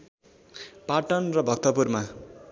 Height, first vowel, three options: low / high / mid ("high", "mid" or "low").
low